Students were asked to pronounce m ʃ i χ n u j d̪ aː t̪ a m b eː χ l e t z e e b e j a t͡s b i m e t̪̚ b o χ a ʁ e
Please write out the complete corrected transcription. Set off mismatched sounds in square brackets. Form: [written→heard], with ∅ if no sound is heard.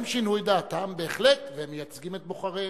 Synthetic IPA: m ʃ i [χ→∅] n u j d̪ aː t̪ a m b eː χ l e t [z→v] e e [b→m] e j a t͡s [b→ɡ] i m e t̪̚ b o χ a ʁ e

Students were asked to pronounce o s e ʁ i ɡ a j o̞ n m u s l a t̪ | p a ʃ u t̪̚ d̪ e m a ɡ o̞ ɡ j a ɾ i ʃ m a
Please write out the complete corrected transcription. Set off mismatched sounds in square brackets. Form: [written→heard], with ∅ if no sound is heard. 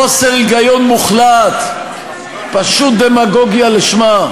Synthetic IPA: o s e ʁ i ɡ a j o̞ n m u [s→χ] l a t̪ | p a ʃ u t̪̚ d̪ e m a ɡ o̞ ɡ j a [ɾ→l] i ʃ m a

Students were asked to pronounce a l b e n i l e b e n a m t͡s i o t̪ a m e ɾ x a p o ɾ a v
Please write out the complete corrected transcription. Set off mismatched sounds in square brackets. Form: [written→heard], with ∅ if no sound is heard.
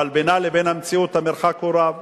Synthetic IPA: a l b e n [i→a] l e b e n a m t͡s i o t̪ a m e ɾ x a [p→k] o ɾ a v

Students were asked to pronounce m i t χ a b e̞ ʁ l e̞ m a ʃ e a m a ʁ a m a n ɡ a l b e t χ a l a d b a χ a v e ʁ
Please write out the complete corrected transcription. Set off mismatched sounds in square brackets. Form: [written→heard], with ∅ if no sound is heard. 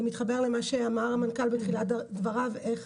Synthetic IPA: m i t χ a b e̞ ʁ l e̞ m a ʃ e a m a ʁ a m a n [ɡ→k] a l b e t χ [a→i] l a d [b→v] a [χ→ʁ] a v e [ʁ→χ]

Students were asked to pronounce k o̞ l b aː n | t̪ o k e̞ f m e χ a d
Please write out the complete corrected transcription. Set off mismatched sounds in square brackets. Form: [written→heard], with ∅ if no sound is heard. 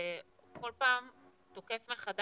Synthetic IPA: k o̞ l [b→p] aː [n→m] | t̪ o k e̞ f m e χ a d

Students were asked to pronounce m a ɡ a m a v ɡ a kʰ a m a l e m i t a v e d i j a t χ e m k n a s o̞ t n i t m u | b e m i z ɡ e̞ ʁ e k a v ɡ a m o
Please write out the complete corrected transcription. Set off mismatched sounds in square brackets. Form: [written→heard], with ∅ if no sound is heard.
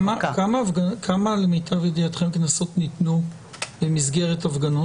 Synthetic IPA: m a [ɡ→k] a m a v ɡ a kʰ a m a l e m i t a v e d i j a t χ e m k n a s o̞ t n i t [m→n] u | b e m i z ɡ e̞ ʁ e [k→t] a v ɡ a [m→n] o

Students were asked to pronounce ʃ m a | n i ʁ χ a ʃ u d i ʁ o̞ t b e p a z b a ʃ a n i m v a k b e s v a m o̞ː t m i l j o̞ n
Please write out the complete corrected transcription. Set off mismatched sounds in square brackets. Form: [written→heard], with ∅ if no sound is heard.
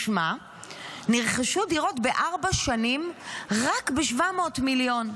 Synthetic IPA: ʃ m a | n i ʁ χ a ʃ u d i ʁ o̞ t b e [p→ʔ] a [z→ʁ] b a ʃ a n i m [v→ʁ] a k b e [s→ʃ] v a m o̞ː t m i l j o̞ n

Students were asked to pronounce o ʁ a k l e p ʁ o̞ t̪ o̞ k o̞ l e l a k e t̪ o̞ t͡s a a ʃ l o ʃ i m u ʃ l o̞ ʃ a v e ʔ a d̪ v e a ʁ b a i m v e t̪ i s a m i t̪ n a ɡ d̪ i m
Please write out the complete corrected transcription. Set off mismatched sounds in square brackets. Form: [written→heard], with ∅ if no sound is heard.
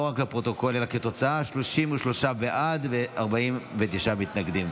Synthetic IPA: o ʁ a k l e p ʁ o̞ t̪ o̞ k o̞ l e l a k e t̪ o̞ t͡s a a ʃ l o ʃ i m u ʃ l o̞ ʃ a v e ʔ a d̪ v e a ʁ b a i m v e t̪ i [s→ʃ] a m i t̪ n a ɡ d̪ i m

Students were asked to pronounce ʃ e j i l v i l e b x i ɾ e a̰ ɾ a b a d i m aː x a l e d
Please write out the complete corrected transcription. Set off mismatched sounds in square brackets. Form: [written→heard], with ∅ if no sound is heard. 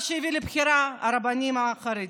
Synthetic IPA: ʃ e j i [l→∅] v i l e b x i ɾ [e→a] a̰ ɾ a b a [d→n] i m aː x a [l→ɾ] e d

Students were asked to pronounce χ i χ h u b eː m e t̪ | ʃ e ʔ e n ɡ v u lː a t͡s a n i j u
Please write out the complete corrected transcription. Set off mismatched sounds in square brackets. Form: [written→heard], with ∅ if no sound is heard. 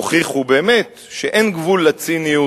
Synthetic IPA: χ i χ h u b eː m e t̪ | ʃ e ʔ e n ɡ v u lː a t͡s [a→i] n i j u

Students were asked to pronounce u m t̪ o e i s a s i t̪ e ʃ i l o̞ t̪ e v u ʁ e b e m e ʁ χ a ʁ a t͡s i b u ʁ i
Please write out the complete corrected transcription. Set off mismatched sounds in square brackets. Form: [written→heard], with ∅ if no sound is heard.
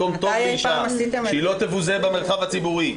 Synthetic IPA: [u→o] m t̪ o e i [s→ʃ] a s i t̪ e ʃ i l o̞ t̪ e v u [ʁ→z] e b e m e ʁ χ a [ʁ→v] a t͡s i b u ʁ i

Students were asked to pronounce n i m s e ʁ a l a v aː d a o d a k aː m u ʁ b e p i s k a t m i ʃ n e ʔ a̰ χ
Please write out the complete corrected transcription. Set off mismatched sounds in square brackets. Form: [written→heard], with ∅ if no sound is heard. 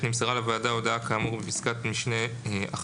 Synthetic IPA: n i m s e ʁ a l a v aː d a o d a k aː m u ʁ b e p i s k a t m i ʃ n e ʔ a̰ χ

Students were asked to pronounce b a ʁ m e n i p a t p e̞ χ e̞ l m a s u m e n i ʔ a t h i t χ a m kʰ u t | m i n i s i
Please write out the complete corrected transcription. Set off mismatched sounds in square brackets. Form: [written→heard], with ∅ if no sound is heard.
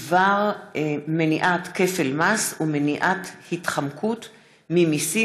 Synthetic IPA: [b→v] a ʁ m e n i [p→ʔ] a t [p→k] e̞ [χ→f] e̞ l m a s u m e n i ʔ a t h i t χ a m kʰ u t | m i [n→m] i s i

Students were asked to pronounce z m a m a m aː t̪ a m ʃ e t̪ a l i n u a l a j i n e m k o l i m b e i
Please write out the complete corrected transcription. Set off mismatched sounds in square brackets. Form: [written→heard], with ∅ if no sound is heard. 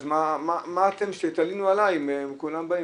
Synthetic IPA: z m a m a m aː t̪ [a→e] m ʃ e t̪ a l i n u a l a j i [n→m] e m k [o→u] l [i→a] m b [e→a] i

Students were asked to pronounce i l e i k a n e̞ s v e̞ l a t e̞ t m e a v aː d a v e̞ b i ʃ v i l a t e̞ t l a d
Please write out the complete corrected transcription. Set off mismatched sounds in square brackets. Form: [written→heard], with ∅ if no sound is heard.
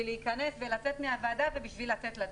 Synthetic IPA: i l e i k a n e̞ s v e̞ l a [t→t͡s] e̞ t m e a v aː d a v e̞ b i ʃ v i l a [t→t͡s] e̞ t l a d

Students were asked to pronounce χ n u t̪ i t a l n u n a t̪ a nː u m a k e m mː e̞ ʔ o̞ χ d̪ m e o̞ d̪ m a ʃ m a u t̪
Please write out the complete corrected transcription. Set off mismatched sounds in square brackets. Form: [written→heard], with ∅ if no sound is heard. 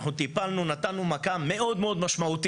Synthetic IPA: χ n u t̪ i [t→p] a l n u n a t̪ a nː u m a k [e→a] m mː e̞ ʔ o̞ [χ→∅] d̪ m e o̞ d̪ m a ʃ m a u t̪

